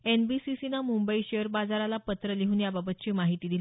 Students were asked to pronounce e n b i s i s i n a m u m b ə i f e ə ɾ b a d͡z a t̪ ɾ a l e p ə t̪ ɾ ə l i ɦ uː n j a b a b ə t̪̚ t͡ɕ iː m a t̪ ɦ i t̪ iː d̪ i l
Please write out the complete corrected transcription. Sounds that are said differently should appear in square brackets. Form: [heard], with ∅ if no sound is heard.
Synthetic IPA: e n b i s i s i n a m u m b ə i [ɕ] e ə ɾ b a d͡z a [∅] ɾ a l [a] p ə t̪ ɾ ə l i ɦ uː n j a b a b ə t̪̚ t͡ɕ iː m a [∅] ɦ i t̪ iː d̪ i l